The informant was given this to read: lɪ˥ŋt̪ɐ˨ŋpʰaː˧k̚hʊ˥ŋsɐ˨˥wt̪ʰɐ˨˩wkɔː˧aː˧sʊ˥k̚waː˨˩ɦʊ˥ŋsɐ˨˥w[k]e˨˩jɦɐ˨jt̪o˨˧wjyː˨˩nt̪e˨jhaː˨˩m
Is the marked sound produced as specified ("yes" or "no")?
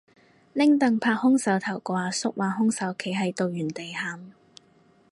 no